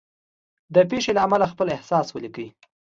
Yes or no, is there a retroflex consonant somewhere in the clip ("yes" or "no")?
no